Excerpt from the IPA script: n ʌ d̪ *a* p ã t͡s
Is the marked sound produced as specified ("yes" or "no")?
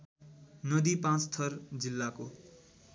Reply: no